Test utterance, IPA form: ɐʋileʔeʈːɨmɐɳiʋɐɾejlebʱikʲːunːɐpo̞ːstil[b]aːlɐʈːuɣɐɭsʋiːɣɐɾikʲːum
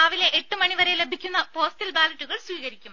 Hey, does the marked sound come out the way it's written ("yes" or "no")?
yes